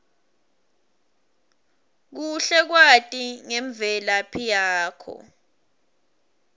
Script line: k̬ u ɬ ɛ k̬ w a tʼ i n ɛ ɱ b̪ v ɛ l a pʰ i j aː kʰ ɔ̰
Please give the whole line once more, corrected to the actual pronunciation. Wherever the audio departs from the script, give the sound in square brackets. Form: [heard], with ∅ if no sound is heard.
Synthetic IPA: k̬ u ɬ ɛ k̬ w a tʼ i [ŋ] ɛ ɱ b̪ v ɛ l a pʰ i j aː kʰ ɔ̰

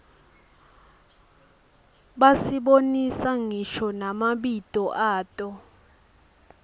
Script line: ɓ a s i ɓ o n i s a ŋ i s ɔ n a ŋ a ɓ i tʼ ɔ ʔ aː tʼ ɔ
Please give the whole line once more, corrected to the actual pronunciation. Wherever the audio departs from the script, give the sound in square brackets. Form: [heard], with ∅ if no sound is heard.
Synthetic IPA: ɓ a s i ɓ o n i s a ŋ i [ʃ] ɔ n a [m] a ɓ i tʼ ɔ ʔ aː tʼ ɔ

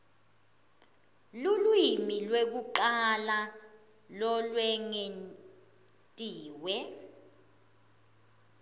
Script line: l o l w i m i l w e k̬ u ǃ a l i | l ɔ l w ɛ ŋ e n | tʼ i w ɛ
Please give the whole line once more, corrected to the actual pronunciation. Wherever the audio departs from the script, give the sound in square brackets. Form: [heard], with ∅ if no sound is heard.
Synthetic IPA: l [u] l w i m i l w e k̬ u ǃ a l [a] | l ɔ l w ɛ ŋ e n | tʼ [iː] w ɛ

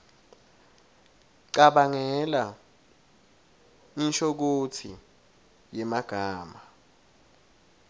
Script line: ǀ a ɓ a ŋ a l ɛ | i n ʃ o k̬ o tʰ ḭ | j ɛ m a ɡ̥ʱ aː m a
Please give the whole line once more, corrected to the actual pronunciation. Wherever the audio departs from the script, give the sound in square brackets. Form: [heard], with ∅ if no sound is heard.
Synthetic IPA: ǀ a ɓ a ŋ [ɛ] l [a] | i n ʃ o k̬ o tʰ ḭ | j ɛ m a ɡ̥ʱ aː m a

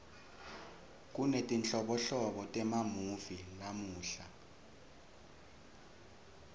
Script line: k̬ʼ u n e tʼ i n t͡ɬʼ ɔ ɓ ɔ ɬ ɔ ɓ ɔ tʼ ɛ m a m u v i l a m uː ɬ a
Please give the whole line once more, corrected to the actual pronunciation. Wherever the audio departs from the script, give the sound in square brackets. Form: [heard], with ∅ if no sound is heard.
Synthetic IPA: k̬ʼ u n e tʼ i n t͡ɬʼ ɔ ɓ ɔ ɬ ɔ ɓ ɔ tʼ ɛ m a m u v i l a m uː ɬ a

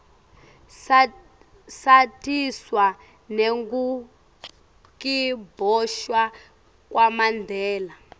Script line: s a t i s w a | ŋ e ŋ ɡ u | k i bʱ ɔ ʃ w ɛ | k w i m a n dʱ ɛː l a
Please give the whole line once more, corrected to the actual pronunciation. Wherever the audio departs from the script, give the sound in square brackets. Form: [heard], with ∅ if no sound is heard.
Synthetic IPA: s a t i s w a | [n] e ŋ ɡ u | k i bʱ ɔ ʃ w [a] | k w [a] m a n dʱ ɛː l a

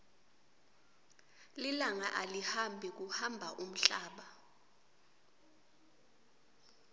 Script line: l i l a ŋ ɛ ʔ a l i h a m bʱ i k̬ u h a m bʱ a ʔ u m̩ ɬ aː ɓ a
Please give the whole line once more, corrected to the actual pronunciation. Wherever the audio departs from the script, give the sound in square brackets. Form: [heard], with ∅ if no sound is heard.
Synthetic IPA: l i l a ŋ [a] ʔ a l i h a m bʱ i k̬ u h a m bʱ a ʔ u m̩ ɬ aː ɓ a

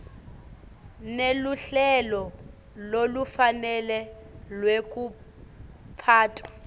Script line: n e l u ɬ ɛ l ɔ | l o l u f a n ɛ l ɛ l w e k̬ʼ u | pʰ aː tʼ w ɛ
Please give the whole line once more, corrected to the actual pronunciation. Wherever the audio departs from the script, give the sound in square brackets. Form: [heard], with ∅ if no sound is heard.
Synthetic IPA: n e l u ɬ ɛ l ɔ | l o l u f a n ɛ l ɛ l w e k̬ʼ u | pʰ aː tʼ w [a]

